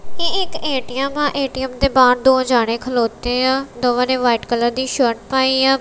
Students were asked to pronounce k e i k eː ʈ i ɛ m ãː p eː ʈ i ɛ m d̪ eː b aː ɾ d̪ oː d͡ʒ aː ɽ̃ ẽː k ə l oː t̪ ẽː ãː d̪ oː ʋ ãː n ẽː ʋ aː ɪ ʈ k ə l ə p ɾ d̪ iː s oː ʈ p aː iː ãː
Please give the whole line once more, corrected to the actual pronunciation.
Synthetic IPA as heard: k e ɪ k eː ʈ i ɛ m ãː ʔ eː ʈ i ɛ m d̪ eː b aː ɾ d̪ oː d͡ʒ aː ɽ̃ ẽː kʰ ə l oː t̪ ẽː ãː d̪ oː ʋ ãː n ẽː ʋ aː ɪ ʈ k ə l ə ɾ d̪ iː ʃ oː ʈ p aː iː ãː